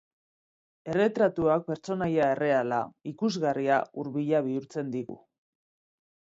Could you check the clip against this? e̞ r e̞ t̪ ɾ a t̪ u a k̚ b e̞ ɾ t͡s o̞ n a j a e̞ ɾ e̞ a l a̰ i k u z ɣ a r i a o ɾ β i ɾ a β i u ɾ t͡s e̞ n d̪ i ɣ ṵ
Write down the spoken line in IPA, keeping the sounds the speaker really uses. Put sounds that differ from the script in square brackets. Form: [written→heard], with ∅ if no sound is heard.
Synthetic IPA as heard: e̞ r e̞ t̪ ɾ a t̪ u a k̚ [b→p] e̞ ɾ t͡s o̞ n a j a e̞ [ɾ→r] e̞ a l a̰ i k u z ɣ a r i a [o→u] ɾ β i [ɾ→ʎ] a β i u ɾ t͡s e̞ n d̪ i ɣ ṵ

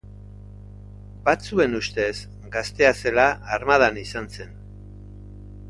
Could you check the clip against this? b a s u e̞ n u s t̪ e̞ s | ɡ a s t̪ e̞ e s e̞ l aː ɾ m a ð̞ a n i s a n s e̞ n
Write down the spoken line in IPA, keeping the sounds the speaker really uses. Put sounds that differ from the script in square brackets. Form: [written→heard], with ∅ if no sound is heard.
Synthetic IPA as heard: b a [s→t͡s] u e̞ n u s t̪ e̞ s | ɡ a s t̪ e̞ [e→a] s e̞ l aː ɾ m a ð̞ a n i s a n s e̞ n

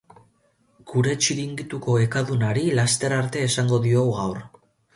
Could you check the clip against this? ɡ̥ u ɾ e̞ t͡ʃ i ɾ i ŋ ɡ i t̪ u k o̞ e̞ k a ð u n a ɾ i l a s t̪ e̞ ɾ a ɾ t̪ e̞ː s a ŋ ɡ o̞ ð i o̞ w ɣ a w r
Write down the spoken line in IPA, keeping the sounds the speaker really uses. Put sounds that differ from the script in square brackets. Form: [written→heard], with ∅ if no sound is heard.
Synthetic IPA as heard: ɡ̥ u ɾ e̞ t͡ʃ i ɾ i ŋ ɡ i t̪ u k o̞ e̞ k a ð u n a ɾ i l a s t̪ e̞ ɾ a ɾ t̪ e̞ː s a ŋ ɡ o̞ ð i o̞ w ɣ a w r

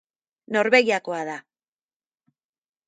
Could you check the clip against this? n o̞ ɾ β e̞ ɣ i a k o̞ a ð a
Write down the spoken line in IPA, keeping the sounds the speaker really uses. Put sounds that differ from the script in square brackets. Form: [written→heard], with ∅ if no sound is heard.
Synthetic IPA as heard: n o̞ ɾ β e̞ ɣ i a k o̞ a ð a

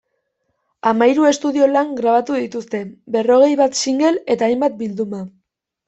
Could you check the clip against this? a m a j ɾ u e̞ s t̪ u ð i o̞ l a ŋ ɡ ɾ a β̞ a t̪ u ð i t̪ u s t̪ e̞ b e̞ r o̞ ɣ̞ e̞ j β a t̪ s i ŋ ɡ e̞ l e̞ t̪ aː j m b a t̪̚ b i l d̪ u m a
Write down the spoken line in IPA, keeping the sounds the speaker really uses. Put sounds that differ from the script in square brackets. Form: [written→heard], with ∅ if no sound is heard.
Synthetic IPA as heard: a m a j ɾ u e̞ s t̪ u ð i o̞ l a ŋ ɡ ɾ a β̞ a t̪ u ð i t̪ u s t̪ e̞ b e̞ r o̞ ɣ̞ e̞ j β a t̪ s i ŋ ɡ e̞ l e̞ t̪ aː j m b a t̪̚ b i l d̪ u m a

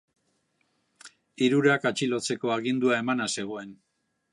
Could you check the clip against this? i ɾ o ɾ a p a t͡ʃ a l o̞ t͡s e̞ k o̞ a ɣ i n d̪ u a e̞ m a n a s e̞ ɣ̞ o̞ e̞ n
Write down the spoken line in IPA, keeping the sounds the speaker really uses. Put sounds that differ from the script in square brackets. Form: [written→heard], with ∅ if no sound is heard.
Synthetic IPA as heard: i ɾ [o→u] ɾ a [p→k] a t͡ʃ [a→i] l o̞ t͡s e̞ k o̞ a ɣ i n d̪ u a e̞ m a n a s e̞ ɣ̞ o̞ e̞ n

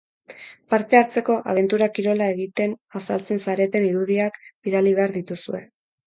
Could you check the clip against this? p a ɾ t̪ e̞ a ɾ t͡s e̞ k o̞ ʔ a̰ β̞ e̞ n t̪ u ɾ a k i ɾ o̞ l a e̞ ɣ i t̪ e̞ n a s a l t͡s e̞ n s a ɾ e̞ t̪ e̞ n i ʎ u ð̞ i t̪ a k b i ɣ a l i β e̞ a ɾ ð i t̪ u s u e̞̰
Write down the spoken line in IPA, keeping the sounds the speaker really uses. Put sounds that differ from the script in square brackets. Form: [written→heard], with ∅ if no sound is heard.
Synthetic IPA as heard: p a ɾ t̪ e̞ a ɾ t͡s e̞ k o̞ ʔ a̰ β̞ e̞ n t̪ u ɾ a k i ɾ o̞ l a e̞ ɣ i t̪ e̞ n a s a l t͡s e̞ n s a ɾ e̞ t̪ e̞ n i [ʎ→ɾ] u ð̞ i [t̪→∅] a k b i [ɣ→ð] a l i β e̞ a ɾ ð i t̪ u s u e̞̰

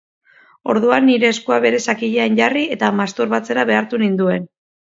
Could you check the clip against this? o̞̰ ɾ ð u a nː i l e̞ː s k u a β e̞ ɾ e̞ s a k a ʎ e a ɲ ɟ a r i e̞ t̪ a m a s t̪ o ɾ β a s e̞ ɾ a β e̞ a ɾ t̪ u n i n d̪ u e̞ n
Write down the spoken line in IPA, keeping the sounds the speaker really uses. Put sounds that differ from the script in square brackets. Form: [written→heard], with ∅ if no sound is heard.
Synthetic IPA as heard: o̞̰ ɾ ð u a nː i [l→ɾ] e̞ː s k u a β e̞ ɾ e̞ s a k [a→i] ʎ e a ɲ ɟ a r i e̞ t̪ a m a s t̪ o ɾ β a [s→t͡s] e̞ ɾ a β e̞ a ɾ t̪ u n i n d̪ u e̞ n

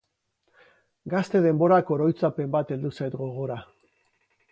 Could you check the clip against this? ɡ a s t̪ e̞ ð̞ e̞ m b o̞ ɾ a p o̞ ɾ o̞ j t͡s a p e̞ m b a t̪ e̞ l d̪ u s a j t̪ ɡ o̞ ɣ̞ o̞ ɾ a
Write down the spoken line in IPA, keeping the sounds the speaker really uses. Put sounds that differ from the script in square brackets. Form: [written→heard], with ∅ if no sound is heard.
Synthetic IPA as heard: ɡ a s t̪ e̞ ð̞ e̞ m b o̞ ɾ a [p→k] o̞ ɾ o̞ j t͡s a p e̞ m b a t̪ e̞ l d̪ u s a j t̪ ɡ o̞ ɣ̞ o̞ ɾ a

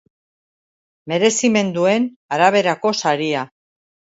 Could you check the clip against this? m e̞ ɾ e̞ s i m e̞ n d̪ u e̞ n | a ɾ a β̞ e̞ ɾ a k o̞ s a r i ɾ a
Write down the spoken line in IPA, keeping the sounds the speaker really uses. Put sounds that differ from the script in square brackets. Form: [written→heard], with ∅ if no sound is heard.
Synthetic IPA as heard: m e̞ ɾ e̞ s i m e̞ n d̪ u e̞ n | a ɾ a β̞ e̞ ɾ a k o̞ s a [r→ɾ] i [ɾ→∅] a

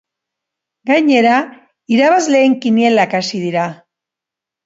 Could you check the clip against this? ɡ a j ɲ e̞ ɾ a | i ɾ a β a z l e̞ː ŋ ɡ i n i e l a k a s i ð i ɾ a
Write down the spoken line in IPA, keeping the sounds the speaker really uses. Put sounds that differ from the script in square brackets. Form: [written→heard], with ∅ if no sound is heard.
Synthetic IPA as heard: ɡ a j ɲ e̞ ɾ a | i ɾ a β a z l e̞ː ŋ [ɡ→k] i n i e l a k a s i ð i ɾ a

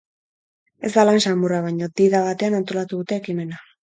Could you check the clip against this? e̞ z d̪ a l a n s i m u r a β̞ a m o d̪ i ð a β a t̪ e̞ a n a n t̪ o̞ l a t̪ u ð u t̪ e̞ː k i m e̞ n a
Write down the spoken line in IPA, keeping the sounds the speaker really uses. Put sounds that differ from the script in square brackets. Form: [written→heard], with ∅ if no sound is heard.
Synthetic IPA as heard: e̞ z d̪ a l a n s [i→a] m u r a β̞ a [m→ɲ] o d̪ i ð a β a t̪ e̞ a n a n t̪ o̞ l a t̪ u ð u t̪ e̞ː k i m e̞ n a

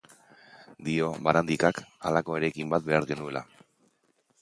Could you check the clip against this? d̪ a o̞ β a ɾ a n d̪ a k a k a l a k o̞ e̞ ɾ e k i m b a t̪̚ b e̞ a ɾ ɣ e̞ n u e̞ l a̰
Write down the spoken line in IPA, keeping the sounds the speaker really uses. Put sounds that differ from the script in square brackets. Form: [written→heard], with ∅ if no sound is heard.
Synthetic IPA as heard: d̪ [a→i] o̞ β a ɾ a n d̪ [a→i] k a k a l a k o̞ e̞ ɾ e k i m b a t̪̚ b e̞ a ɾ ɣ e̞ n u e̞ l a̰

